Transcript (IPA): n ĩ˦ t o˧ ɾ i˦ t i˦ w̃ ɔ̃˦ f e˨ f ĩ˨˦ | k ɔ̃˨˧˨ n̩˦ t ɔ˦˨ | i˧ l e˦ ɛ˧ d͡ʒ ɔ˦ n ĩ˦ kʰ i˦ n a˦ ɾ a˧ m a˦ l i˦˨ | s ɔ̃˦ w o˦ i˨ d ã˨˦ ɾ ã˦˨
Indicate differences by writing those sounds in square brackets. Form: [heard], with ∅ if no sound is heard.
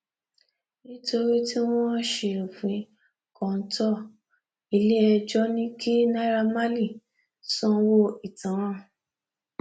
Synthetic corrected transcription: n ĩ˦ t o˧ ɾ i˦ t i˦ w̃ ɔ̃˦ [ʃ] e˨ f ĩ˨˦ | k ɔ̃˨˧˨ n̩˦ t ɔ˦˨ | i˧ l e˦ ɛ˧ d͡ʒ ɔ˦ n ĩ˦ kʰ i˦ n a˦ ɾ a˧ m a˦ l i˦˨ | s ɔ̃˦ w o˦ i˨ [t] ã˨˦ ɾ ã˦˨

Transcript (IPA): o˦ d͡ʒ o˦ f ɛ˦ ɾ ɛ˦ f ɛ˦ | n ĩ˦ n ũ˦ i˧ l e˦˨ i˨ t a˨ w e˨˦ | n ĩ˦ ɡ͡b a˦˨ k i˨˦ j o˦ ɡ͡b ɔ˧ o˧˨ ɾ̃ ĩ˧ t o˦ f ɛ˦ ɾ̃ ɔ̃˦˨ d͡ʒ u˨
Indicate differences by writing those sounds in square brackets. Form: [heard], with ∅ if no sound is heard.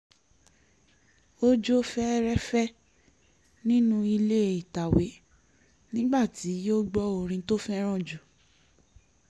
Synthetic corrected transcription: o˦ d͡ʒ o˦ f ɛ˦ ɾ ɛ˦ f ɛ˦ | n ĩ˦ n ũ˦ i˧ l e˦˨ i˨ t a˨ w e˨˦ | n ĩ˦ ɡ͡b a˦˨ [t] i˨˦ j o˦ ɡ͡b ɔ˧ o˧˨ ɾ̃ ĩ˧ t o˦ f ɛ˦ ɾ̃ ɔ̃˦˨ d͡ʒ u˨

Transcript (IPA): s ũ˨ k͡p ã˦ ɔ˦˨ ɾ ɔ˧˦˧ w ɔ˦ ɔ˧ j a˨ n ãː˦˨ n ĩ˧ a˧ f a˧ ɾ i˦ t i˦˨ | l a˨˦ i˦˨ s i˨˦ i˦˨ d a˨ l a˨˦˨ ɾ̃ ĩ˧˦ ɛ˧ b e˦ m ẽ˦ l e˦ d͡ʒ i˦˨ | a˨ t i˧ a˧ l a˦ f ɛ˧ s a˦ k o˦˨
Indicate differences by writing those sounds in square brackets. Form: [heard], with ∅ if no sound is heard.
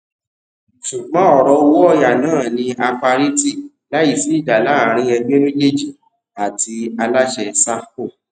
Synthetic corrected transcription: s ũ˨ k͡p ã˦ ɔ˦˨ ɾ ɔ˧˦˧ w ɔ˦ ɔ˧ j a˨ n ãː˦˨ n ĩ˧ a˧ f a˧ ɾ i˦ t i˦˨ | l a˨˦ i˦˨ s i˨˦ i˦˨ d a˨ l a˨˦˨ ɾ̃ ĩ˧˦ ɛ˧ [ɡ͡b] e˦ m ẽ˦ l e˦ d͡ʒ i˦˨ | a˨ t i˧ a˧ l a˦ [ʃ] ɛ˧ s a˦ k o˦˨

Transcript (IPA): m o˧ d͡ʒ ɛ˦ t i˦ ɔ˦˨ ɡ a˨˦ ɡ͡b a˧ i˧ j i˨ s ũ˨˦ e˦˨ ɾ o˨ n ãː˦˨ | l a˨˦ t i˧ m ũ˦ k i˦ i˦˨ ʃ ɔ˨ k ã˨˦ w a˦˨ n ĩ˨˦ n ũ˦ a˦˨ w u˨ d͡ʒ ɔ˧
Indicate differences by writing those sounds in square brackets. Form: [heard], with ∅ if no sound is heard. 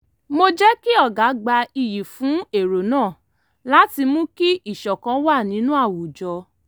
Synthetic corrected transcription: m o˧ d͡ʒ ɛ˦ [k] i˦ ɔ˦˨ ɡ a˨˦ ɡ͡b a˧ i˧ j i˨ [f] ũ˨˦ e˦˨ ɾ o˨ n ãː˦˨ | l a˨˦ t i˧ m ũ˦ k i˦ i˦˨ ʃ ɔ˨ k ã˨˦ w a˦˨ n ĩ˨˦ n ũ˦ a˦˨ w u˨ d͡ʒ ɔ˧

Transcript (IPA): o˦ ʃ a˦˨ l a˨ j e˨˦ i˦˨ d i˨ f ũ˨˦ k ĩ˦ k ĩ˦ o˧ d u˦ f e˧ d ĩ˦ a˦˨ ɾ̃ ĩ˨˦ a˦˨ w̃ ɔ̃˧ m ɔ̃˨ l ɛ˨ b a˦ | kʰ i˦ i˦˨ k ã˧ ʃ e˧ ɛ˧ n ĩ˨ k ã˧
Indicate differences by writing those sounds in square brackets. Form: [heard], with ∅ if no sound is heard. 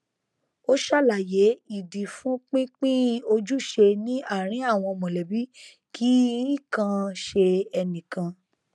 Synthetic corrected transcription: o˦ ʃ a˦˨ l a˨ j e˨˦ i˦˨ d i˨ f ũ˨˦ [k͡p] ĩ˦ [k͡p] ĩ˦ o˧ [d͡ʒ] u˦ [ʃ] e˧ [n] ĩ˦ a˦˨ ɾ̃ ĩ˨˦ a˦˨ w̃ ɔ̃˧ m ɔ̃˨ l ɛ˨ b [i˦] | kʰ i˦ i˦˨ k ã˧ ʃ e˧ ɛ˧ n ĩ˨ k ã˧

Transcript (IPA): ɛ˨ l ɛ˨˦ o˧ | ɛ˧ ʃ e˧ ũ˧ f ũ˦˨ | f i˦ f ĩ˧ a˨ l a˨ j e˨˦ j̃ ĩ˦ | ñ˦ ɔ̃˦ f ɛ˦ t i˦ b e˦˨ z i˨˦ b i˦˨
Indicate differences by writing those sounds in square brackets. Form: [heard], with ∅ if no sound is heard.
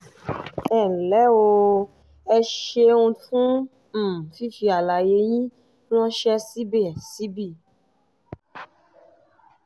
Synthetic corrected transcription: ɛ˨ l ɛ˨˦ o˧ | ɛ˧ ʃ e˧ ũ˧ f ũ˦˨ | f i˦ f [i˧] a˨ l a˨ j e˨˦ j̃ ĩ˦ | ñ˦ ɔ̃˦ [ʃ] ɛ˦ [s] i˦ b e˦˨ [s] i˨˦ b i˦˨

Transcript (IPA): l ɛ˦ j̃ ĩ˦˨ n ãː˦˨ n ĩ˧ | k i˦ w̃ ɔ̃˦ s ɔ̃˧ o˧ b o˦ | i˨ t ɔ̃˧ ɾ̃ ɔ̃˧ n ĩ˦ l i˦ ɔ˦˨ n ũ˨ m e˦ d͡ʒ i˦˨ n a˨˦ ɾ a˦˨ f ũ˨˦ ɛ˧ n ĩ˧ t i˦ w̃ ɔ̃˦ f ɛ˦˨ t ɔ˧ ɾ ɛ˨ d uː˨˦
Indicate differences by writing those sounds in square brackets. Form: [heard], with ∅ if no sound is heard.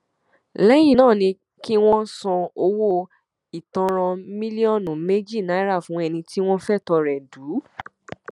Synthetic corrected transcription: l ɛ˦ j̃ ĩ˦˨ n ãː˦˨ n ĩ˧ | k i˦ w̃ ɔ̃˦ s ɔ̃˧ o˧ [w] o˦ | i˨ t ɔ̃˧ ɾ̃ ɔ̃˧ [m] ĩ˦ l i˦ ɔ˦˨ n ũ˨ m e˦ d͡ʒ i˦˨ n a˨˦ ɾ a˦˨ f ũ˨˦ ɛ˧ n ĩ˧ t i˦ w̃ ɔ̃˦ f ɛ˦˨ t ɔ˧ ɾ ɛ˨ d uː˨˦

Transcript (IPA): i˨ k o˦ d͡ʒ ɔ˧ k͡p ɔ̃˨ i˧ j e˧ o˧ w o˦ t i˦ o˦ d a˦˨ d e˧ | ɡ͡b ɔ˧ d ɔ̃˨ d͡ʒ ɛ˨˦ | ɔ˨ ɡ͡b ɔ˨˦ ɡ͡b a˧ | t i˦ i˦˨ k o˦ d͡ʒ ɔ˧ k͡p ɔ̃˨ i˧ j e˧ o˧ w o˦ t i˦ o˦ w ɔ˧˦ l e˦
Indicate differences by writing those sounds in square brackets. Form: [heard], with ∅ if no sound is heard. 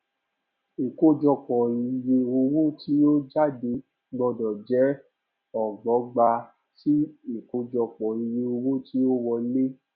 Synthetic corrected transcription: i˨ k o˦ d͡ʒ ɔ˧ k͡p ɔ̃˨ i˧ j e˧ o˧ w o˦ t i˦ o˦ [d͡ʒ] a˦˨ d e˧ | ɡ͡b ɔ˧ d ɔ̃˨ d͡ʒ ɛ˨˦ | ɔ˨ ɡ͡b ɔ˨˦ ɡ͡b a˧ | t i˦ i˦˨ k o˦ d͡ʒ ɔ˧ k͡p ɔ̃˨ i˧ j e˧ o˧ w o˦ t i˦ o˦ w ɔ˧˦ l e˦

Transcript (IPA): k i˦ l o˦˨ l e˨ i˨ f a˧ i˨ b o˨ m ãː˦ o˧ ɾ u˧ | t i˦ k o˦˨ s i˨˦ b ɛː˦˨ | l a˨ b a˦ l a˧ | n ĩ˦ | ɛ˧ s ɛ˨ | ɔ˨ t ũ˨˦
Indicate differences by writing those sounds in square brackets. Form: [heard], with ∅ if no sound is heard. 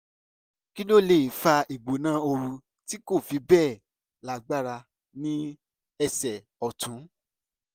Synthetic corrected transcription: k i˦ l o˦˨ l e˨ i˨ f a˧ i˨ [ɡ͡b] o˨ [n] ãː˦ o˧ ɾ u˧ | t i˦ k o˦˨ [f] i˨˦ b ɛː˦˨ | l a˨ [ɡ͡b] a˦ [ɾ] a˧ | n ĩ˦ | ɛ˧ s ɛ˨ | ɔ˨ t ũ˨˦

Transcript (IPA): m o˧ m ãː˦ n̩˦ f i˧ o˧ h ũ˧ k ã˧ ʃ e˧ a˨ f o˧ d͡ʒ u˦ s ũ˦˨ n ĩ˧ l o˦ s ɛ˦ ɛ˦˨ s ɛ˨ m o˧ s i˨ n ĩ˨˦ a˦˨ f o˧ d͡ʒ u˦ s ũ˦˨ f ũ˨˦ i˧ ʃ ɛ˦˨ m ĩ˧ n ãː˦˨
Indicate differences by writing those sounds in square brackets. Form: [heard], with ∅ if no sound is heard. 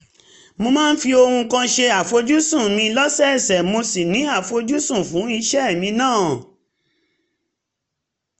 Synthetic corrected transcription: m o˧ m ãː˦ n̩˦ f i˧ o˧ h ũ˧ k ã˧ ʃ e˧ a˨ f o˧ d͡ʒ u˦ s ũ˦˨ [m] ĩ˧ l [ɔ˦] s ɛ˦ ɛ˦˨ s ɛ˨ m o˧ s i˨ n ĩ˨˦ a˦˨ f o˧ d͡ʒ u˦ s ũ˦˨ f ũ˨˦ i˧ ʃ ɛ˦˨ m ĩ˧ n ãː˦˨

